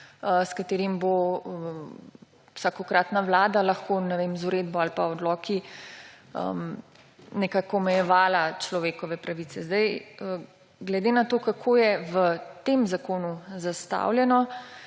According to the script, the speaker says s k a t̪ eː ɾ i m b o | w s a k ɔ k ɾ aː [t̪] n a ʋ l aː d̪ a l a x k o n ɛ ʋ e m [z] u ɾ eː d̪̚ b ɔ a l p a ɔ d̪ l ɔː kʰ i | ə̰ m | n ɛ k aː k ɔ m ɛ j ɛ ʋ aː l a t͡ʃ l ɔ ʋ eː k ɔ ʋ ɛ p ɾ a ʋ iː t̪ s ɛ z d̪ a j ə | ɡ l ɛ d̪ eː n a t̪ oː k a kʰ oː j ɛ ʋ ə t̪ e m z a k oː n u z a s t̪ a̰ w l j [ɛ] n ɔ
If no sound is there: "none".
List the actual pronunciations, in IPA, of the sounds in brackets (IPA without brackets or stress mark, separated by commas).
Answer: t̪, z, ɛ